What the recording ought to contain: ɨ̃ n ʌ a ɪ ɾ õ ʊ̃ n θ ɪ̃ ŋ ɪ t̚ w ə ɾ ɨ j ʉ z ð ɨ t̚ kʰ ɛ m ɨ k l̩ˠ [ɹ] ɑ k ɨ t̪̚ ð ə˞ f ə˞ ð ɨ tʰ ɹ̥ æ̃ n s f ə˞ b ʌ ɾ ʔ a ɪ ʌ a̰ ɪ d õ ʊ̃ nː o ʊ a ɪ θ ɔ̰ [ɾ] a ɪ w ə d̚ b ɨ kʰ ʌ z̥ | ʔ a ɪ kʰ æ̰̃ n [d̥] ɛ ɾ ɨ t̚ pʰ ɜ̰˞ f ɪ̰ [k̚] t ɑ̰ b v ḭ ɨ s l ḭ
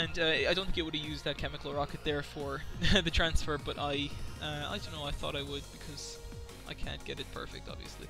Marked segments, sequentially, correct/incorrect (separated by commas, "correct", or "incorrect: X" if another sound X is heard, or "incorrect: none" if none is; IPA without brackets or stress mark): correct, correct, incorrect: ɡ̥, correct